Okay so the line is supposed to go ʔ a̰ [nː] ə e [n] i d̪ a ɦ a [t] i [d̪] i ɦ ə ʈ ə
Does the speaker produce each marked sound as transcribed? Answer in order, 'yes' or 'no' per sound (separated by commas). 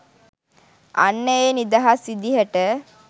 yes, yes, no, yes